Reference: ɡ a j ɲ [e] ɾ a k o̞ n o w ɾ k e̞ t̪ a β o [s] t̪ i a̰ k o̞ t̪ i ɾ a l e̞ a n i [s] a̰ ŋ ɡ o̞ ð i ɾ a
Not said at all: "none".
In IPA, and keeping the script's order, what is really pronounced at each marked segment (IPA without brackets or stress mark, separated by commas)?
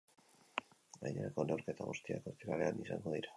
e, s, s